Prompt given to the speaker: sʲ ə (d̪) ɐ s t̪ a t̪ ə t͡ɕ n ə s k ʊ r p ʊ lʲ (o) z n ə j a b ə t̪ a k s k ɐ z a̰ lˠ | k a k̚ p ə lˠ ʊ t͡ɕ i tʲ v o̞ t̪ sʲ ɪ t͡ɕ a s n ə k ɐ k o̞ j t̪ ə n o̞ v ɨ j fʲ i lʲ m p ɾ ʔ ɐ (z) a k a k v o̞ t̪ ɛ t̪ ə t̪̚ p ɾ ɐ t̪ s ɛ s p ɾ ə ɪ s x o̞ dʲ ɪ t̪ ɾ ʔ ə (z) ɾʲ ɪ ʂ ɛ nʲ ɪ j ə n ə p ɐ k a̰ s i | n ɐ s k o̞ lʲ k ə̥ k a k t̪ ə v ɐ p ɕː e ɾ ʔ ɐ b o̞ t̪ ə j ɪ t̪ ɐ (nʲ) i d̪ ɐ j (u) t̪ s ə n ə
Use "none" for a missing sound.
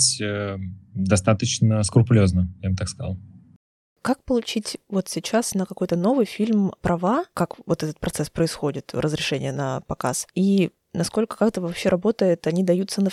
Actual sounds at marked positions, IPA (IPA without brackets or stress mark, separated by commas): d̪, o, v, z, nʲ, u